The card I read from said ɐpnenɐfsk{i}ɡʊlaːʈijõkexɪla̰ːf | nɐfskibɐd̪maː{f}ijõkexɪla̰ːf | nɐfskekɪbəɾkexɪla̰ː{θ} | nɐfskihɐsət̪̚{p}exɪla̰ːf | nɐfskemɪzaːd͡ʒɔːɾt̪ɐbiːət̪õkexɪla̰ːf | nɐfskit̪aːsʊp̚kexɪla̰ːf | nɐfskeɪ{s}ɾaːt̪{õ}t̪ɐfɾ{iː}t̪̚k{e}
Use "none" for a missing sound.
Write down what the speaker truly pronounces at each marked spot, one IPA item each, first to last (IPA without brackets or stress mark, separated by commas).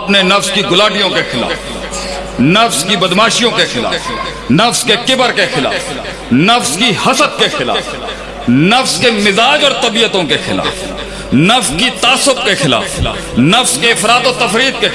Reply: i, ʃ, f, k, f, o, iː, e